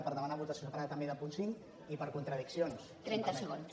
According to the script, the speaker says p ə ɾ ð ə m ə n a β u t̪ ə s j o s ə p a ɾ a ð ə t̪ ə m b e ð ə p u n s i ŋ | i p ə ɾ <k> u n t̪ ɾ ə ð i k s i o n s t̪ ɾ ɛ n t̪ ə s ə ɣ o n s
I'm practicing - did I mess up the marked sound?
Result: no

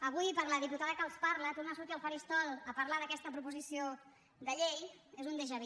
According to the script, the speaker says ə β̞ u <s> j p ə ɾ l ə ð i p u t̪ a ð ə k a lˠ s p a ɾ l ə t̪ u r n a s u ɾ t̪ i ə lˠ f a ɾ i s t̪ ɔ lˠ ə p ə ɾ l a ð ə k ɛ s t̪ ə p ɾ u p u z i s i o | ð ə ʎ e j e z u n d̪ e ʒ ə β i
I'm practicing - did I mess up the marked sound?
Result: yes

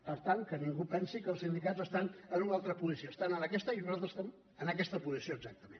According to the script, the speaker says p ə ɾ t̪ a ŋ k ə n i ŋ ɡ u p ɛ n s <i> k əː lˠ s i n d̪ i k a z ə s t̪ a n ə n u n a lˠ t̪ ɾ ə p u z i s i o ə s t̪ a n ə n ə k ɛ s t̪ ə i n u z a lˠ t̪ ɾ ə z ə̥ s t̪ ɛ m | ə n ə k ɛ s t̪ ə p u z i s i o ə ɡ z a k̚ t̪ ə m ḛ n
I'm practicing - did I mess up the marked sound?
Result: no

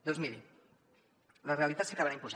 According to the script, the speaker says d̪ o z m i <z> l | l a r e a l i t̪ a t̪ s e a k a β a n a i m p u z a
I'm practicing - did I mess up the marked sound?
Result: yes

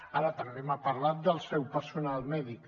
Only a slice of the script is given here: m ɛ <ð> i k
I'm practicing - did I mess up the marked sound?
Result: no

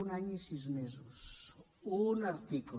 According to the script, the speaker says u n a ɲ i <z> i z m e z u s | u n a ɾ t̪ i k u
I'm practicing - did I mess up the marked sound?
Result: yes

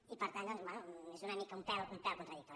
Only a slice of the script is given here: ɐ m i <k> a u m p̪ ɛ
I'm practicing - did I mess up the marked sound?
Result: no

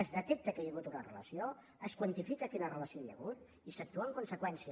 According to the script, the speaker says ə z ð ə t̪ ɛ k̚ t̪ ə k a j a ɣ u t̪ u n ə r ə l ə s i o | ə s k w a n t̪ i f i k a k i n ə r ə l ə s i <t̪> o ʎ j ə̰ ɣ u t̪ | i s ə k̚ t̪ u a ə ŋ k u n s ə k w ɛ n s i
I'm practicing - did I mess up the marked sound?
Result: yes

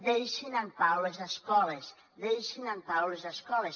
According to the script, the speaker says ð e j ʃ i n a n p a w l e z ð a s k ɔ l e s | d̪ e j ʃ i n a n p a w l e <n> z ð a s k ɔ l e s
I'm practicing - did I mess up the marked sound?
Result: yes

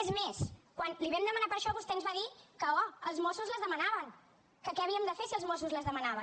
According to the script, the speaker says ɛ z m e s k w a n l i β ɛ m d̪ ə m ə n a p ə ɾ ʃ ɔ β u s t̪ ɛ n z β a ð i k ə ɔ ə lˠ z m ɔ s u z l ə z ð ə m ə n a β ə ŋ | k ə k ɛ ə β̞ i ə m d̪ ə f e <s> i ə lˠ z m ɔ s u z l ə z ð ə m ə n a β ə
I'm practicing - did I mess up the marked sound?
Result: no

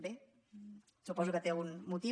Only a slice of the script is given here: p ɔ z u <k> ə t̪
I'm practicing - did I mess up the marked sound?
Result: no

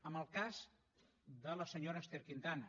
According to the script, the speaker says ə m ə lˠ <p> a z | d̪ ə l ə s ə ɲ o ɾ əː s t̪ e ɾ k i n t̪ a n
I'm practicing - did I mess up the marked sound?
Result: yes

